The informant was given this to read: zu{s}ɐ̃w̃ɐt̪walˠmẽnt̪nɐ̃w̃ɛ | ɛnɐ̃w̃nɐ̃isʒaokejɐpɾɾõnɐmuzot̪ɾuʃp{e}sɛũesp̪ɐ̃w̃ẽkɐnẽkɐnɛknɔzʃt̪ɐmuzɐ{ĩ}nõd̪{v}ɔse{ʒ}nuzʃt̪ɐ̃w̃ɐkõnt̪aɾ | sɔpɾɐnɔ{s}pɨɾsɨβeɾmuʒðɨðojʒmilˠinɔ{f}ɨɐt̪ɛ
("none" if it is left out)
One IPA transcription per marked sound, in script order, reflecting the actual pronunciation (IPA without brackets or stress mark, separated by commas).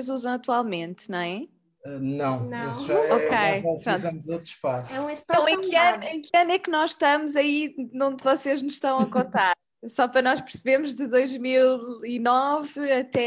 z, a, i, v, ʒ, ʃ, v